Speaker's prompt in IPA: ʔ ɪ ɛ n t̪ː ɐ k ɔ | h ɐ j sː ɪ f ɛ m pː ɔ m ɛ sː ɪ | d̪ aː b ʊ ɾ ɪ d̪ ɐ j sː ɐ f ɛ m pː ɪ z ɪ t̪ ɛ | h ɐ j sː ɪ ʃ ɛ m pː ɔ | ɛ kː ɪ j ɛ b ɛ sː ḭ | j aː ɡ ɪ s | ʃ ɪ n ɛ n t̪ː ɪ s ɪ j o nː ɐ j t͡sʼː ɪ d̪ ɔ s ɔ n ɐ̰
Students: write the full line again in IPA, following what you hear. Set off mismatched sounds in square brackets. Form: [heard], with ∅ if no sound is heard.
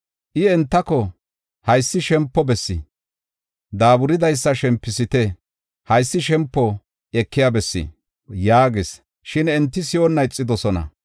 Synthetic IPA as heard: ʔ ɪ ɛ n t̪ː ɐ k ɔ | h ɐ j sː ɪ [ʃ] ɛ m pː ɔ [b] ɛ sː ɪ | d̪ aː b ʊ ɾ ɪ d̪ ɐ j sː ɐ [ʃ] ɛ m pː ɪ [s] ɪ t̪ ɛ | h ɐ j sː ɪ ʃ ɛ m pː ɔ | ɛ kː ɪ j [a] b ɛ sː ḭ | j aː ɡ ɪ s | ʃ ɪ n ɛ n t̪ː ɪ s ɪ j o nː ɐ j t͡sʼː ɪ d̪ ɔ s ɔ n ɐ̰